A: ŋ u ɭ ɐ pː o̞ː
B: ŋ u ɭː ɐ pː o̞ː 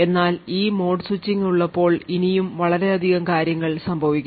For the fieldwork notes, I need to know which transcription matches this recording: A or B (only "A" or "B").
B